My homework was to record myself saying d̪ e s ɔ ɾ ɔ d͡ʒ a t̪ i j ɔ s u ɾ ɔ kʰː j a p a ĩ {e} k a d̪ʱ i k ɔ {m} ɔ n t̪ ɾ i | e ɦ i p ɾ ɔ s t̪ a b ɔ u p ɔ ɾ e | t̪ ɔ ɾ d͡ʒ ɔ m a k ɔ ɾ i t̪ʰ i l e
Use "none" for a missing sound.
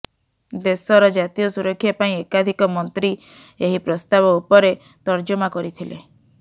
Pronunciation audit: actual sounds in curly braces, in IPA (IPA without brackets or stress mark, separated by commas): e, m